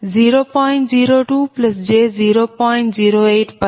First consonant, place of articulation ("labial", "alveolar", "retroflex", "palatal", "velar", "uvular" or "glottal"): alveolar